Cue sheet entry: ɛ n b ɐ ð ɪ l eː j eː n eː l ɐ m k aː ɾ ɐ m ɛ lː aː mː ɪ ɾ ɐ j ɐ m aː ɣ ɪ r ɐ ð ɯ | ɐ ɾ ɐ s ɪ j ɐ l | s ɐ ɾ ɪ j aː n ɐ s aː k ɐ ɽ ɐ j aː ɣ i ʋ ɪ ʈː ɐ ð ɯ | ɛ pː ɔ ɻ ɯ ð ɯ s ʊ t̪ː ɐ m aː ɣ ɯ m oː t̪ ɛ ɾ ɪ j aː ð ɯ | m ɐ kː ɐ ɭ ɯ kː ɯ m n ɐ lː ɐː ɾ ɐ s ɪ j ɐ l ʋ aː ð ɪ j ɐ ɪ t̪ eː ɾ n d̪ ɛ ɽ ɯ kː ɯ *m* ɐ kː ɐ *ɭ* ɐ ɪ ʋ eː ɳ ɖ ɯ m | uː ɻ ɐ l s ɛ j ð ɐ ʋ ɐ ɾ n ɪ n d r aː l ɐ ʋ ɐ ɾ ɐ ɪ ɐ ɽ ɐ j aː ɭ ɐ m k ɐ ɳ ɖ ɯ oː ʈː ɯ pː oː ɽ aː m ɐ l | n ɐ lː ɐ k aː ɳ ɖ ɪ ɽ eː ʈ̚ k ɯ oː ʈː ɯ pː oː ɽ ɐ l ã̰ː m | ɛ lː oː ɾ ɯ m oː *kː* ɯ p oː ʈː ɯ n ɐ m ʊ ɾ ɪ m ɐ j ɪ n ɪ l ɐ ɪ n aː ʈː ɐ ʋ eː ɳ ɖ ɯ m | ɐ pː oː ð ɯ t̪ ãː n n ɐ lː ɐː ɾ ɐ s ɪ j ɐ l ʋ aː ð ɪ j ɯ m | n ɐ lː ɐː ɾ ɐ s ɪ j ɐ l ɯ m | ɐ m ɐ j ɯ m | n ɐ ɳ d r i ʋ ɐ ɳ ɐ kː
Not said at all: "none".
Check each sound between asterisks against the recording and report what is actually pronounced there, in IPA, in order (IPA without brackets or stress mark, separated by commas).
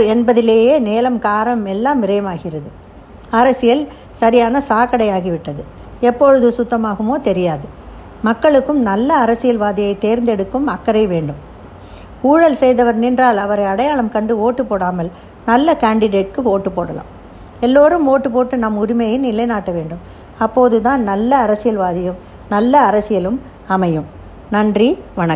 m, ɾ, ʈː